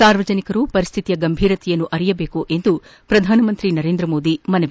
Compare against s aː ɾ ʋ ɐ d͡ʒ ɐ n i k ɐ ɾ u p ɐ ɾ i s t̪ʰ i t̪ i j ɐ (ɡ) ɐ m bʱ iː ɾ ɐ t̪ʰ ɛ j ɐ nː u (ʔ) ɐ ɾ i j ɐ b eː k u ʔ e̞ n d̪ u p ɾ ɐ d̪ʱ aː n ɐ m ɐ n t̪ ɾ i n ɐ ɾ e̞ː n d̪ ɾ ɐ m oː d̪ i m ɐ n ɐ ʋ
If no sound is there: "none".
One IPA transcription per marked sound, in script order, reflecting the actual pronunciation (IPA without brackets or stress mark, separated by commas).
ɡ, ʔ